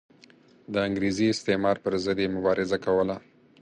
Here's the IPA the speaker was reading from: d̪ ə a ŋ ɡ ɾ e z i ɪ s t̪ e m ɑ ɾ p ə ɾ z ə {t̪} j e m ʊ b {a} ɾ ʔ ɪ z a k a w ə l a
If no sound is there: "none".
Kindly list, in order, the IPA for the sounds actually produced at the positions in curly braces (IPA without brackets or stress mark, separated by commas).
d̪, ɑ